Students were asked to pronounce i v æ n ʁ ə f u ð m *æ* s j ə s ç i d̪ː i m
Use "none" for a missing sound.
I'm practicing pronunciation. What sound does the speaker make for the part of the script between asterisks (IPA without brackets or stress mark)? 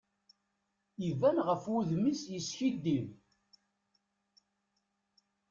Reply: i